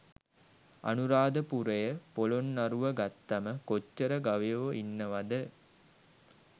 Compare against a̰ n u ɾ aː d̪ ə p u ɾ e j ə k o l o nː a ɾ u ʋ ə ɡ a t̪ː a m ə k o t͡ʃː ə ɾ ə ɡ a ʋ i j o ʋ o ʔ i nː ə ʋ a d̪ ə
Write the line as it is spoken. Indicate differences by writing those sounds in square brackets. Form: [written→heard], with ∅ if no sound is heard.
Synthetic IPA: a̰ n u ɾ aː d̪ ə p u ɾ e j ə [k→p] o l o nː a ɾ u ʋ ə ɡ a t̪ː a m ə k o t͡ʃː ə ɾ ə ɡ a ʋ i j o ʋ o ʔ i nː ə ʋ a d̪ ə